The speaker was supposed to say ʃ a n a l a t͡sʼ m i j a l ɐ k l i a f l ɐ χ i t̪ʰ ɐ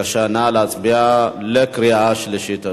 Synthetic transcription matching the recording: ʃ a n a l a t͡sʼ b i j a l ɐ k ɾ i a ʃ l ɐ ʃ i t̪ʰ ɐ